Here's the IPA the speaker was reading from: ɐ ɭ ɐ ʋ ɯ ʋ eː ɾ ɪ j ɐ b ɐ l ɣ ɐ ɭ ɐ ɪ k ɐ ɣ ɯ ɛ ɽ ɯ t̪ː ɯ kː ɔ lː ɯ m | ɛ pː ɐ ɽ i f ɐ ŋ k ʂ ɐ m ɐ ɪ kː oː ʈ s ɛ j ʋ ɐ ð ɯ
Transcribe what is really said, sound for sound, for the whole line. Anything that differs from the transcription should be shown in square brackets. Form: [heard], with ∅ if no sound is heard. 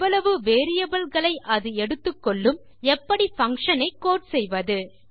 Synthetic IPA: ɐ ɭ ɐ ʋ ɯ ʋ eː ɾ ɪ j ɐ b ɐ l ɣ ɐ ɭ ɐ ɪ [ʔ] ɐ [ð] ɯ ɛ ɽ ɯ t̪ː ɯ kː ɔ [ɭː] ɯ m | ɛ pː ɐ ɽ i f ɐ ŋ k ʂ ɐ [n] ɐ ɪ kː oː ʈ s ɛ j ʋ ɐ ð ɯ